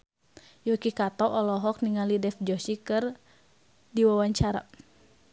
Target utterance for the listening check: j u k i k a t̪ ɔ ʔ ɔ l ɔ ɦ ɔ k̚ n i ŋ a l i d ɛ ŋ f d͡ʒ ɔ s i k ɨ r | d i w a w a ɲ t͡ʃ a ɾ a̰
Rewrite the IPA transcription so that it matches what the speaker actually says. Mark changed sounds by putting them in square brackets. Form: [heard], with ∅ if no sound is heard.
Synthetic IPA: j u k i k a t̪ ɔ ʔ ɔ l ɔ ɦ ɔ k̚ n i ŋ a l i d ɛ [∅] f d͡ʒ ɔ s i k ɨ r | d i w a w a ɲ t͡ʃ a ɾ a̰

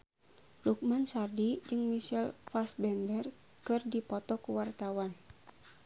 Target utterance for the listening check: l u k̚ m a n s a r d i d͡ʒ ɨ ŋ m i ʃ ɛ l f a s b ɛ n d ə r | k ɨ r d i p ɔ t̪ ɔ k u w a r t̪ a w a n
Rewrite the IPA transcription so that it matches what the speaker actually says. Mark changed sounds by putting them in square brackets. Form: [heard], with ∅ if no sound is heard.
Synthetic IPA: l u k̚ m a n s a r d i d͡ʒ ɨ ŋ m i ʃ ɛ l f a s b ɛ n d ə r | k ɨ r d i p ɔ t̪ ɔ k u w a r t̪ a w a n

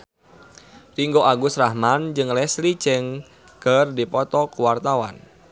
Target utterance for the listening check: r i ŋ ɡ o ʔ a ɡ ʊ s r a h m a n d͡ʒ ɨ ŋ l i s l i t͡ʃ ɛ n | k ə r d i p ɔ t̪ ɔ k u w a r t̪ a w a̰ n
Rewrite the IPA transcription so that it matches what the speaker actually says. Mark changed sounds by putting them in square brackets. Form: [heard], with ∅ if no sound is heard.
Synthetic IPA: r i ŋ ɡ o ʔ a ɡ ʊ s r a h m a n d͡ʒ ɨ ŋ l [ɛ] s l i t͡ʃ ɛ [ŋ] | k ə r d i p ɔ t̪ ɔ k u w a r t̪ a w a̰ n

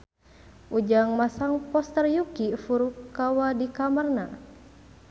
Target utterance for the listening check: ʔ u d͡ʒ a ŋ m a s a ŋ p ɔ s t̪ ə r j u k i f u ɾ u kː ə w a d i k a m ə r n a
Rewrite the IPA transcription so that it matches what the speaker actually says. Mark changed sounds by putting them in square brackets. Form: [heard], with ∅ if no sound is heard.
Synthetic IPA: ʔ u d͡ʒ a ŋ m a s a ŋ p ɔ s t̪ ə r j u k i f u ɾ u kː [a] w a d i k a m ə r n a

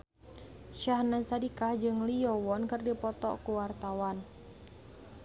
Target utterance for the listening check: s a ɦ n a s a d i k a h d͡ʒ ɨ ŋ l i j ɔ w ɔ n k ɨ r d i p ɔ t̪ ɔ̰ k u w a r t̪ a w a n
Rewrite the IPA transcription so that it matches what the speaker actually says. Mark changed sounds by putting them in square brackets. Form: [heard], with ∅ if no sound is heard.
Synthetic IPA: [ʃ] a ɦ n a s a d i k a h d͡ʒ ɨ ŋ l i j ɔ w ɔ n k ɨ r d i p ɔ t̪ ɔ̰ k u w a r t̪ a w a n

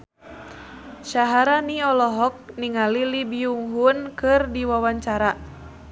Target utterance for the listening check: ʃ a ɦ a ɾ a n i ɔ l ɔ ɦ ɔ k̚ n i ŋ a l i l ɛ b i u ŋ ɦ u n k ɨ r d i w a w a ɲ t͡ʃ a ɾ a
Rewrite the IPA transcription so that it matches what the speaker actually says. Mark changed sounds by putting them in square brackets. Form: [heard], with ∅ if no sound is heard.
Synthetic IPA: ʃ a ɦ a ɾ a n i ɔ l ɔ ɦ ɔ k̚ n i ŋ a l i l [i] b i u ŋ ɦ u n k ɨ r d i w a w a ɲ t͡ʃ a ɾ a

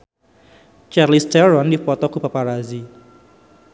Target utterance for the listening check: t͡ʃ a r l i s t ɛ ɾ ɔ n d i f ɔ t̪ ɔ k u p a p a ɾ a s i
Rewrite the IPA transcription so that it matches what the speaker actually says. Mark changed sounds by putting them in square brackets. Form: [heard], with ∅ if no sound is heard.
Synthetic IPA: t͡ʃ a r l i s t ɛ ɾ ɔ n d i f ɔ t̪ ɔ k u p a p a ɾ a [z] i

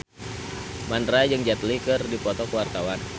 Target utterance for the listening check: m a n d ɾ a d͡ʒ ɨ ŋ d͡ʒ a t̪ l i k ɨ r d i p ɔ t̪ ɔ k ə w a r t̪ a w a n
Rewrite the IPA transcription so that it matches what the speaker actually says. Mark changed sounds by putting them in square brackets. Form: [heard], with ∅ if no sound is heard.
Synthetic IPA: m a n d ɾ a d͡ʒ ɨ ŋ d͡ʒ a t̪ l i k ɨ r d i p ɔ t̪ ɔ k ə w a r t̪ a w a n

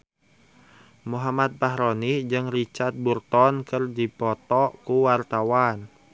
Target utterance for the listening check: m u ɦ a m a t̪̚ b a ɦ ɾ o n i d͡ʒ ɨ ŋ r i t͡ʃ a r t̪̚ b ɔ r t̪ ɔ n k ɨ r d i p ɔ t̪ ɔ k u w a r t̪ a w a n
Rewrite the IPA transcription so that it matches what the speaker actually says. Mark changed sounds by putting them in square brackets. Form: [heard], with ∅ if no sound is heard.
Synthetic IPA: m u ɦ a m a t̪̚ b a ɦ ɾ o n i d͡ʒ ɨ ŋ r i t͡ʃ a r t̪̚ b [u] r t̪ ɔ n k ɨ r d i p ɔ t̪ ɔ k u w a r t̪ a w a n

